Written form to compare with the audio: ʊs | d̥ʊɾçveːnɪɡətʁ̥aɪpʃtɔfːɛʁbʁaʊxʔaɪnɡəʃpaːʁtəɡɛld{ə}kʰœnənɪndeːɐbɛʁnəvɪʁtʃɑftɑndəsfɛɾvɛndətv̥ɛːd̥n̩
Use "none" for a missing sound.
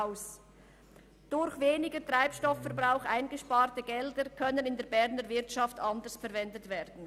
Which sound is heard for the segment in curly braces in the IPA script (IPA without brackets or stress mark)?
ə